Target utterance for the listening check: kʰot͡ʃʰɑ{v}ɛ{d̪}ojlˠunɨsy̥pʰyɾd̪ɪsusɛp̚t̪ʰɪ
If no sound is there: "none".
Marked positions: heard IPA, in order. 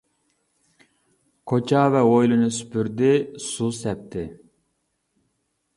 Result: v, none

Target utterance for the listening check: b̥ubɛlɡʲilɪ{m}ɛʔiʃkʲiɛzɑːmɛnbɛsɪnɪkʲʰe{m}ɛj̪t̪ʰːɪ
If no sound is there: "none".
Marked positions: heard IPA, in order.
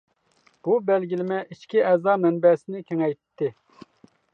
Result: m, ŋ

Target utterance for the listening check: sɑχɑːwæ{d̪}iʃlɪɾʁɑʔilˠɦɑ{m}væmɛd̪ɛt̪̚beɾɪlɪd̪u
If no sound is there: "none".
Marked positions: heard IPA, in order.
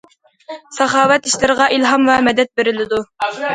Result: t̪, m

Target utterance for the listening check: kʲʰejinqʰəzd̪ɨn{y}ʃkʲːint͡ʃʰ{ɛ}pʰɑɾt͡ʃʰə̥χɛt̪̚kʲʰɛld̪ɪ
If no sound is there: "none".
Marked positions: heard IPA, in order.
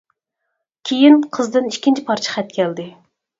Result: i, i

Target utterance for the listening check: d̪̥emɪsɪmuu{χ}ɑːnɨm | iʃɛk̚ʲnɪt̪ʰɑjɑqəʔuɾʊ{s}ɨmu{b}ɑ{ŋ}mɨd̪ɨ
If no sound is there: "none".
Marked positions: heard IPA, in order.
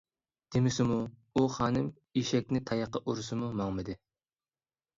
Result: χ, s, m, ŋ

